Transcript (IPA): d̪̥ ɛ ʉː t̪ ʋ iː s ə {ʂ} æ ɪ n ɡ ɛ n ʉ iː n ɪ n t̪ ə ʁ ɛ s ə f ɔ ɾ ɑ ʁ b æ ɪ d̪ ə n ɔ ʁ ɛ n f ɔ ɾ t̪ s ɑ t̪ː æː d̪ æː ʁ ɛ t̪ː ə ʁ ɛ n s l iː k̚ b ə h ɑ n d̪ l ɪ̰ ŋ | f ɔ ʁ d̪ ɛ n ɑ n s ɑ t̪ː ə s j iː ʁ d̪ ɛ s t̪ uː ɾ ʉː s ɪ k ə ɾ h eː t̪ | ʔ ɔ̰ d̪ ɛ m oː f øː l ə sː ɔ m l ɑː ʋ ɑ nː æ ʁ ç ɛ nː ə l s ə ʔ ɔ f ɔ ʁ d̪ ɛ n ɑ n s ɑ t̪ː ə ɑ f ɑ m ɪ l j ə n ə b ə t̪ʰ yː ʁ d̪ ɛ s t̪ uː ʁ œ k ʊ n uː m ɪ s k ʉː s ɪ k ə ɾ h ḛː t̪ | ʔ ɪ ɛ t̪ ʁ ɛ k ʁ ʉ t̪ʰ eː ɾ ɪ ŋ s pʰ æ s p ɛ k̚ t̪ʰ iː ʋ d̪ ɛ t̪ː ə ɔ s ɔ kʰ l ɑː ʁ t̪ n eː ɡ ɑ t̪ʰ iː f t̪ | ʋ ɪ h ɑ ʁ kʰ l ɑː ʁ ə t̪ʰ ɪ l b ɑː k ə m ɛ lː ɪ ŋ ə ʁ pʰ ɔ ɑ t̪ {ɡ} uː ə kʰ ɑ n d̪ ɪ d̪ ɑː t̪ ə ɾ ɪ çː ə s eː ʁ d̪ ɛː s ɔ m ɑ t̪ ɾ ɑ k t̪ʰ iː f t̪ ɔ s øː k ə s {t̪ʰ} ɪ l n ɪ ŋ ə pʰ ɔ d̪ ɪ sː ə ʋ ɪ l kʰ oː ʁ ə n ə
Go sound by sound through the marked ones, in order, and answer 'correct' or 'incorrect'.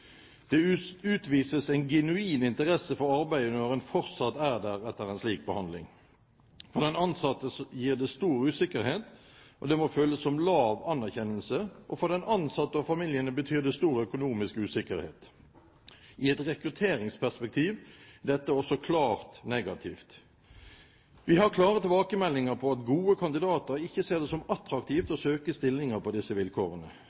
incorrect, correct, incorrect

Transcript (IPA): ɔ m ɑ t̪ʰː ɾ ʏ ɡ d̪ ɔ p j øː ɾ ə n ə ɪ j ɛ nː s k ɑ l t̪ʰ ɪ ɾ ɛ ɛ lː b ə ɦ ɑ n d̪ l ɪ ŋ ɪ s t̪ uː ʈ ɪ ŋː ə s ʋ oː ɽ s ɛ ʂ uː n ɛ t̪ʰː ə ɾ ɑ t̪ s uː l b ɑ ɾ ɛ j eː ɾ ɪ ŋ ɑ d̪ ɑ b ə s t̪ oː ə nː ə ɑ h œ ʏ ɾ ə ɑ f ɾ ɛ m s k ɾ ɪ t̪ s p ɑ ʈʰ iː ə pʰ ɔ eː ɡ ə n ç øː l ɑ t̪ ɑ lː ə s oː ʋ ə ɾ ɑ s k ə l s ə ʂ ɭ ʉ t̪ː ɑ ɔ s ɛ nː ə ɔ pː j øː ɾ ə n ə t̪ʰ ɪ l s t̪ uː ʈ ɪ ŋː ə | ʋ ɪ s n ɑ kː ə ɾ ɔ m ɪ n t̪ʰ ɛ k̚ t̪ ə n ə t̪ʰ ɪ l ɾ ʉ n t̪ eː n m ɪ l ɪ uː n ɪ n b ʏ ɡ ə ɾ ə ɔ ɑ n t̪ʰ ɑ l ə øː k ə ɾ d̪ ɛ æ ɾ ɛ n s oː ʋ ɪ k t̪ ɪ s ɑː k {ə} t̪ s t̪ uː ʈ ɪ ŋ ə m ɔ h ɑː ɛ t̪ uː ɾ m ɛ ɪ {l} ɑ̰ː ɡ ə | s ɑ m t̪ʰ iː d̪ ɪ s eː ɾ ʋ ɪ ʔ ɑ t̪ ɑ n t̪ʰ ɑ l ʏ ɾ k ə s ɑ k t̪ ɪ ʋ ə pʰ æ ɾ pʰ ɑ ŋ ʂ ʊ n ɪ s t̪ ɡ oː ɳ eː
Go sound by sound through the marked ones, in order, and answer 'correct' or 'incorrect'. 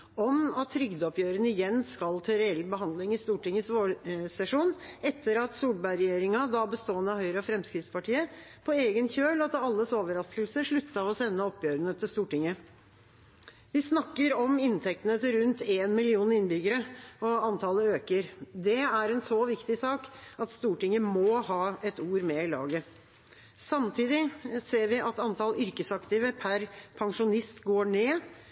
incorrect, correct

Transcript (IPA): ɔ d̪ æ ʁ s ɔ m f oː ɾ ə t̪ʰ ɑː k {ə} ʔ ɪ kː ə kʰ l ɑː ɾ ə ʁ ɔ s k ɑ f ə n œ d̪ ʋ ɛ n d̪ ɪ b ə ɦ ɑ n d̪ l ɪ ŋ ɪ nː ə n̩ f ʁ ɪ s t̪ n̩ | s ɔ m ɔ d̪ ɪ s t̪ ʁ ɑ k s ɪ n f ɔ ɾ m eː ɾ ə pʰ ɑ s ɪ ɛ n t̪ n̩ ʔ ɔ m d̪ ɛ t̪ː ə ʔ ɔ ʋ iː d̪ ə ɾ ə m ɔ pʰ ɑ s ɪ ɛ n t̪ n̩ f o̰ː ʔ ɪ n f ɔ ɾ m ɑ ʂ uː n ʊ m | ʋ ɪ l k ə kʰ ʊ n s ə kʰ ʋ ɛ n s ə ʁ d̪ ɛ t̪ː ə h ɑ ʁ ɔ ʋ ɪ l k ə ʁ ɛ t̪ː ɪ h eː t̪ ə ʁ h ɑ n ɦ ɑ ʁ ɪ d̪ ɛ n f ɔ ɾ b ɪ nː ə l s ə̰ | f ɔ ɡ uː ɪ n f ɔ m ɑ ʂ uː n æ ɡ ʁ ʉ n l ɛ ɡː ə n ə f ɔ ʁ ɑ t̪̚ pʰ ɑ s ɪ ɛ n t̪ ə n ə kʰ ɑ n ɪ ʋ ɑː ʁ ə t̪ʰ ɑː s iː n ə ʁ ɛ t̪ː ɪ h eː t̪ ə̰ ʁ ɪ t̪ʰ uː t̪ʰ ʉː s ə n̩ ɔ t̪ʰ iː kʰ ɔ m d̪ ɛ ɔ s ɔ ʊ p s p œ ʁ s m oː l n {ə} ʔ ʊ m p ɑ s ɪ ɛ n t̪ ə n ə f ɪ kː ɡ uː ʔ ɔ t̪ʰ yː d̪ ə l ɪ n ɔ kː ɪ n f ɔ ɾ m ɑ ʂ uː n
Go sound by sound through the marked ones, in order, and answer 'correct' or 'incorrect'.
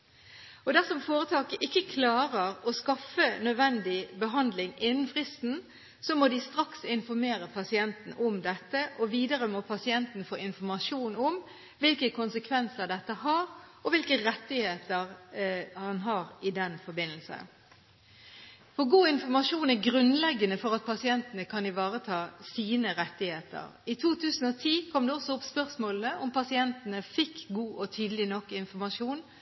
correct, correct

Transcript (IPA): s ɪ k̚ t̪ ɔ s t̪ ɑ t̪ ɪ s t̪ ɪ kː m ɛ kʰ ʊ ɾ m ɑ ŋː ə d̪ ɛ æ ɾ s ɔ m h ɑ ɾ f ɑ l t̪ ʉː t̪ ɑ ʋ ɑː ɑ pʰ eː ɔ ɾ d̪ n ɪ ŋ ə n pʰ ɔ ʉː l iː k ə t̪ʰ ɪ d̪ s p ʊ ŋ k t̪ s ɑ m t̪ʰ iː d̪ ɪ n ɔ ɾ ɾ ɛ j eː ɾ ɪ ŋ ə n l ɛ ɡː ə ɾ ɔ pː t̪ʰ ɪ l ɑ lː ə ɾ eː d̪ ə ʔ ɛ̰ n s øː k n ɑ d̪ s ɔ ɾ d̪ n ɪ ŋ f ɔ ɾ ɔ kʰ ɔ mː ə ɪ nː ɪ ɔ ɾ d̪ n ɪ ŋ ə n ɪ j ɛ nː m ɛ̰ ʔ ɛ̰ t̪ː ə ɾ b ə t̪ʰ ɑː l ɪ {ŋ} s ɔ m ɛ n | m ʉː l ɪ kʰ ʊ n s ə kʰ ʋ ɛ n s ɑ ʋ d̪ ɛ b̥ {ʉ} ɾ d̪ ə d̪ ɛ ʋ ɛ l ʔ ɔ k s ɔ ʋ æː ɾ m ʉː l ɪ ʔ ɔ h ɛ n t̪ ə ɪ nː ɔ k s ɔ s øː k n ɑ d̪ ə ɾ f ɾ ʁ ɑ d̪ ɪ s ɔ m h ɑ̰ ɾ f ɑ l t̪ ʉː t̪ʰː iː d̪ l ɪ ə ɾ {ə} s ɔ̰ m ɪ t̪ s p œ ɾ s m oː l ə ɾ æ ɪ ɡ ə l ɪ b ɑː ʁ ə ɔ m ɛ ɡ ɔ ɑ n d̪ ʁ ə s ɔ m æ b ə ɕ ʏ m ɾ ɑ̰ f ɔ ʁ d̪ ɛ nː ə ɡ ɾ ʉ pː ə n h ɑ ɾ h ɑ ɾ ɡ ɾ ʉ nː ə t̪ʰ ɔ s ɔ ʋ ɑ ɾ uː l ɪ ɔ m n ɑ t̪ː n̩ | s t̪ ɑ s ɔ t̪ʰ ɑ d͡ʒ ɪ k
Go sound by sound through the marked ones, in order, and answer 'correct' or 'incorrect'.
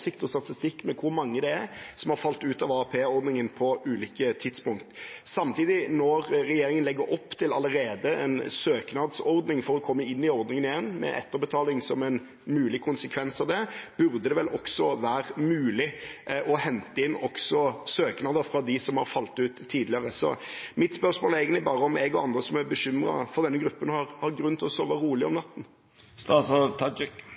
correct, correct, correct

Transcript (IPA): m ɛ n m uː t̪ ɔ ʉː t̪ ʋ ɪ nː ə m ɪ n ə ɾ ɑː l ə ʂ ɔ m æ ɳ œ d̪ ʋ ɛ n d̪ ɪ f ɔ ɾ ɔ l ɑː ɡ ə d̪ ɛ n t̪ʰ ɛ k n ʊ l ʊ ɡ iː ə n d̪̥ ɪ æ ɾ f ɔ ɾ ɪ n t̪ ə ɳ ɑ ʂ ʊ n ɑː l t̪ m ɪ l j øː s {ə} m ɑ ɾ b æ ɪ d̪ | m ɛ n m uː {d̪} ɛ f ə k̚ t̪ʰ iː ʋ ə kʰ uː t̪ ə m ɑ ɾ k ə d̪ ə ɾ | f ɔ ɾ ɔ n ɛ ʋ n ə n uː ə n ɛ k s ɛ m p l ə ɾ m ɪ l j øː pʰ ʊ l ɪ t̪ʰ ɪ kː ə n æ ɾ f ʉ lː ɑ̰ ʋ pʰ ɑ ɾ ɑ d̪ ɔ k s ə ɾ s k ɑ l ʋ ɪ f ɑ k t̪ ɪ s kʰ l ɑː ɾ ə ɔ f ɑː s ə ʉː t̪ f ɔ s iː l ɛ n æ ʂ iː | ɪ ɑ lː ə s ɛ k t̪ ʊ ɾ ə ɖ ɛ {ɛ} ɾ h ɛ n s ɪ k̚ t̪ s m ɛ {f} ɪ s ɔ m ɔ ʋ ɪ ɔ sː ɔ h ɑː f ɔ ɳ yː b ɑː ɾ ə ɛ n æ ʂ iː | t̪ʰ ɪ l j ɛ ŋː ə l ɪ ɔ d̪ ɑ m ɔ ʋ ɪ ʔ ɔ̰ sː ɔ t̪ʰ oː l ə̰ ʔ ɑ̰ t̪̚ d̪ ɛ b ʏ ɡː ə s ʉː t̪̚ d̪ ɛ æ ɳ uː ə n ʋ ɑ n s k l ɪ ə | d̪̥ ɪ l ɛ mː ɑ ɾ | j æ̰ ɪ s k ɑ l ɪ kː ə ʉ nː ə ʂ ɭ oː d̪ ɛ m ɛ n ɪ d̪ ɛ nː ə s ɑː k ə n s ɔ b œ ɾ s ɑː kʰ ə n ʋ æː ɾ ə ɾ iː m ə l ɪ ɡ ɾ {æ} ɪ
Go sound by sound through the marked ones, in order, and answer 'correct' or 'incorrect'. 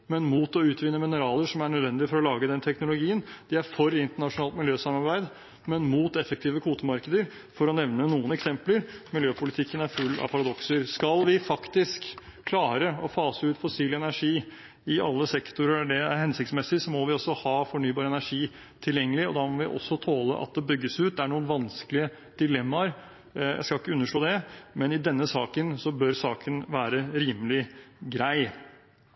incorrect, incorrect, incorrect, incorrect, correct

